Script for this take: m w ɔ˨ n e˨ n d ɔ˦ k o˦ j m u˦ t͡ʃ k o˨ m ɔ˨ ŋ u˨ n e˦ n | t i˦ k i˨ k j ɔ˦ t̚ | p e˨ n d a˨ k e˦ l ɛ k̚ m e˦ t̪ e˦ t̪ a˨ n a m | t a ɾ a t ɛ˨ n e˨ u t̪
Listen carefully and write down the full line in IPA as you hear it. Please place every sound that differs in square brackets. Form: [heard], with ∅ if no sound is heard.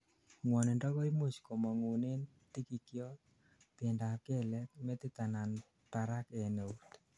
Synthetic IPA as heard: [ŋ] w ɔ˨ n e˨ n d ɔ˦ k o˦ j m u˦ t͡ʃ k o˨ m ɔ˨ ŋ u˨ n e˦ n | t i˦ k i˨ k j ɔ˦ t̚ | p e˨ n d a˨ k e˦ l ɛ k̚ m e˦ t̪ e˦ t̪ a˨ n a [n] | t a ɾ a [k] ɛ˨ n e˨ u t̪

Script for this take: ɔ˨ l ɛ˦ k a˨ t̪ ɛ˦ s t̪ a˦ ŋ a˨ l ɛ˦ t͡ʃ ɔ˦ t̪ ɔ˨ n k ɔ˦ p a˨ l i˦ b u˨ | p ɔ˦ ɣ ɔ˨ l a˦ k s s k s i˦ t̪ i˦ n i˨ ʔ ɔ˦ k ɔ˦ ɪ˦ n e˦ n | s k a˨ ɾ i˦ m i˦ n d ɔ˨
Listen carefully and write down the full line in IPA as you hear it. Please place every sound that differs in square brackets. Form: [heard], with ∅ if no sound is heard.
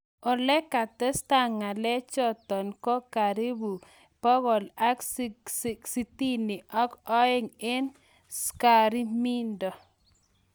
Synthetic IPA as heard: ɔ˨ l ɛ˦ k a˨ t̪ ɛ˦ s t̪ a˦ ŋ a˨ l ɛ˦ t͡ʃ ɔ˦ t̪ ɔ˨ n k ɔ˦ [k] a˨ [ɾ] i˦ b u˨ | p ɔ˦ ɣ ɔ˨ l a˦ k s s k s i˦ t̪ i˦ n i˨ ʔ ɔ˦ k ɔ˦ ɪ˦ [ŋ] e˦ n | s k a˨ ɾ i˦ m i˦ n d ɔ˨

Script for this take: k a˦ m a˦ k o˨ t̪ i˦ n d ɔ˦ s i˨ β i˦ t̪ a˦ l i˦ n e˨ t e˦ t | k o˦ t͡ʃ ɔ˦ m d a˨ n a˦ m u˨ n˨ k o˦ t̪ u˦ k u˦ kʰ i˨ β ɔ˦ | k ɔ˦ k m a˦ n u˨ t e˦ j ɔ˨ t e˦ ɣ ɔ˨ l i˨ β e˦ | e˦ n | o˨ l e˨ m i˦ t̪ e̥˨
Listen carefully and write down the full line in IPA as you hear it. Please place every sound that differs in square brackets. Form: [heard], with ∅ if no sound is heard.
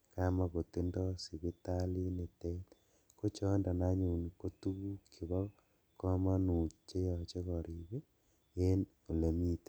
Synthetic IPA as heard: k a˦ m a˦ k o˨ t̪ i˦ n d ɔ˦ s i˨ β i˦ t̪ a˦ l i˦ n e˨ t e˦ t | k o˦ t͡ʃ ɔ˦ [n] d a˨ n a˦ [ɲ] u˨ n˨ k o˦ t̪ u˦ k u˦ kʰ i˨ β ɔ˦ | k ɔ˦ [∅] m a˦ n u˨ [t͡ʃ] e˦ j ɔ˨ [t͡ʃ] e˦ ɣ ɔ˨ [ɾ] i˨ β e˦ | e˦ n | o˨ l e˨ m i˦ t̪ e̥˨

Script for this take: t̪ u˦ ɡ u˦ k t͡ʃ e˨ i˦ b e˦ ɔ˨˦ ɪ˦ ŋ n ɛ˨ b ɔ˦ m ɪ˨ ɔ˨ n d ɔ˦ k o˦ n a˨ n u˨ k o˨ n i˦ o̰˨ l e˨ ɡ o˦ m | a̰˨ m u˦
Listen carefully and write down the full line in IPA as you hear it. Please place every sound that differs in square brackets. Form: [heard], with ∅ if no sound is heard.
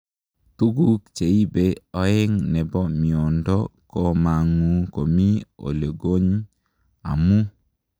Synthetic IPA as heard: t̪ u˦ ɡ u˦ k t͡ʃ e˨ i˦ b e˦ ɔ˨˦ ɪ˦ ŋ n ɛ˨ b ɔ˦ m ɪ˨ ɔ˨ n d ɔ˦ k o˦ [m] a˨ [ŋ] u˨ k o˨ [m] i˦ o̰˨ l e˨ ɡ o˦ [ɲ] | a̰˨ m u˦

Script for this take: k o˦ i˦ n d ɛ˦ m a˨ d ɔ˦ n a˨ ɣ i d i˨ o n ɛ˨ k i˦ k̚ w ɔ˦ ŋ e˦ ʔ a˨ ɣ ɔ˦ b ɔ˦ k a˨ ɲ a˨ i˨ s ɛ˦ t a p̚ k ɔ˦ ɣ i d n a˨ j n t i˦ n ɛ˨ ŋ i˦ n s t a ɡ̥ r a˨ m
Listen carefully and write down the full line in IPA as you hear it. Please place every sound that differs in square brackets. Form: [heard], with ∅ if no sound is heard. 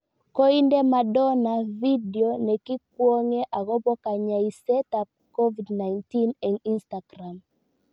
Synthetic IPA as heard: k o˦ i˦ n d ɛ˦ m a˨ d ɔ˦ n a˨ [v] i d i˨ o n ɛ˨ k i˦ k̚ w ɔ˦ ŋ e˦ ʔ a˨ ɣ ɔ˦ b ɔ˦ k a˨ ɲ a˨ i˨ s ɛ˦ t a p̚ k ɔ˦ [v] i d n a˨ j n t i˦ n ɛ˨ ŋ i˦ n s t a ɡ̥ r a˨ m

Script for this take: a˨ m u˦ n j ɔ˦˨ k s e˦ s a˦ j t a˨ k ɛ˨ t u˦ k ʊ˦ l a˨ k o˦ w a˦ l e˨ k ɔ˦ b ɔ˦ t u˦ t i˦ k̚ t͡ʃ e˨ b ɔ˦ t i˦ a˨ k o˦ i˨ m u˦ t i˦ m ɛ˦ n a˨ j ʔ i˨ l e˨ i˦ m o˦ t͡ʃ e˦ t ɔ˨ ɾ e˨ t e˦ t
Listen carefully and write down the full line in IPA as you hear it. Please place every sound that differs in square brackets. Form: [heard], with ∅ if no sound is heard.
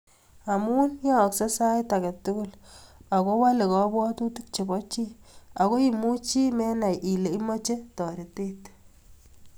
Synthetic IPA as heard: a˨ m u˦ n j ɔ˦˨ k s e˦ s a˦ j t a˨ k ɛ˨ t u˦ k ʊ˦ l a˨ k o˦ w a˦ l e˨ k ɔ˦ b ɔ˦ t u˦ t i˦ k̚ t͡ʃ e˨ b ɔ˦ [t͡ʃ] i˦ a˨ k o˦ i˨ m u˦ [t͡ʃ] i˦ m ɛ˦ n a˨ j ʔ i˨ l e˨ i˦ m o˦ t͡ʃ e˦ t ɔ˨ ɾ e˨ t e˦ t

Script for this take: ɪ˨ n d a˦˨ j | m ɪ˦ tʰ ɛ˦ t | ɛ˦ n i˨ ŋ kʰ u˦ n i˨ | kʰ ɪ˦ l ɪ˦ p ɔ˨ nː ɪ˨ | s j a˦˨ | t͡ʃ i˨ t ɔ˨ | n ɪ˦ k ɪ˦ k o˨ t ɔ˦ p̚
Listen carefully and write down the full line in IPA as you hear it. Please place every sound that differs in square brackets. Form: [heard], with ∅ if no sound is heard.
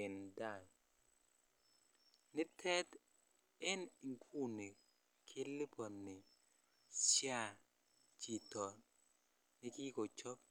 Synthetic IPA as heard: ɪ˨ n d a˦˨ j | [n] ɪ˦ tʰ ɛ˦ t | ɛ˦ n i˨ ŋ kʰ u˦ n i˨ | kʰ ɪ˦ l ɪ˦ p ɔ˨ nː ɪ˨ | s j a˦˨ | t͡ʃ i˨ t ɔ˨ | n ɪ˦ k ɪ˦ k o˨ [t͡ʃ] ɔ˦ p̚

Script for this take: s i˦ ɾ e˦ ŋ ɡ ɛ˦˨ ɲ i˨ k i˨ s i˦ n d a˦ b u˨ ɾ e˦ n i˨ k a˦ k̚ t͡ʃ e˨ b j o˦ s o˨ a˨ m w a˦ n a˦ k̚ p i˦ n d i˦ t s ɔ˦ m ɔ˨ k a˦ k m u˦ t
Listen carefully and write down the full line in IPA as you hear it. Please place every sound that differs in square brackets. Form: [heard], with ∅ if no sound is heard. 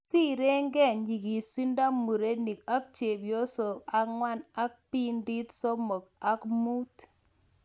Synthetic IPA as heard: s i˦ ɾ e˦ ŋ ɡ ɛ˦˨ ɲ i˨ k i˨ s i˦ n d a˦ [m] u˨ ɾ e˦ n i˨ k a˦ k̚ t͡ʃ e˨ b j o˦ s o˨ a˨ [ŋ] w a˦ n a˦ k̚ p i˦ n d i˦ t s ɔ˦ m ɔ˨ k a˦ k m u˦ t

